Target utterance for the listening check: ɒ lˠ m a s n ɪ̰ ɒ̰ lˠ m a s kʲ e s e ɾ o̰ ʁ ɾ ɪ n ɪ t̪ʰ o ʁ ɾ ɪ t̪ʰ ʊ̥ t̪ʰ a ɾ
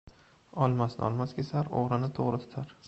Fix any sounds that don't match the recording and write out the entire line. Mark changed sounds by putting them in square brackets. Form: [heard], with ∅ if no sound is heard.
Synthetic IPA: ɒ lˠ m a s n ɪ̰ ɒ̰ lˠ m a s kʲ e s [a] ɾ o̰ ʁ ɾ ɪ n ɪ t̪ʰ o ʁ ɾ ɪ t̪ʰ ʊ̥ t̪ʰ a ɾ